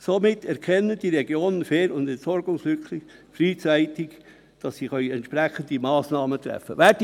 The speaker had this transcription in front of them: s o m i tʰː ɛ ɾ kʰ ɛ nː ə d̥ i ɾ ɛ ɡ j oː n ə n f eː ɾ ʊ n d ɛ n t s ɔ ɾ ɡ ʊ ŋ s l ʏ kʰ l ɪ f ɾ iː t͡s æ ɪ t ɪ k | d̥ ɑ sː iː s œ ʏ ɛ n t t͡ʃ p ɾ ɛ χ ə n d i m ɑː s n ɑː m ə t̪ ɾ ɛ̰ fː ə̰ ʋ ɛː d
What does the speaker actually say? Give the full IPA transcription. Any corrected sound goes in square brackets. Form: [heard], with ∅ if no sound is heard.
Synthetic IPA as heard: s o m [ɪ] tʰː ɛ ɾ kʰ ɛ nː ə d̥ i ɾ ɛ ɡ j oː n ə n f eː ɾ ʊ n d ɛ n t s ɔ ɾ ɡ ʊ ŋ s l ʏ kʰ l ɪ f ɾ iː t͡s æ ɪ t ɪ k | d̥ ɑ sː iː [χ] œ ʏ ɛ n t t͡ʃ p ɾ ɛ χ ə n d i m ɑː s n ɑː m ə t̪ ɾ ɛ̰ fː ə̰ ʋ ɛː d